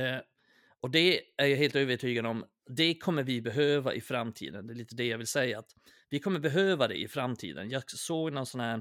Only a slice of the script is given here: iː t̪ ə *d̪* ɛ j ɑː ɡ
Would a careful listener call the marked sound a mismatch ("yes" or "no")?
no